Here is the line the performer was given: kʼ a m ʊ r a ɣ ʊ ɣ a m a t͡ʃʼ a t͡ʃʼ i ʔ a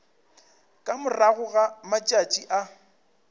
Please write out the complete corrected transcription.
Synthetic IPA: kʼ a m ʊ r a ɣ ʊ ɣ a m a t͡ʃʼ a t͡ʃʼ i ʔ a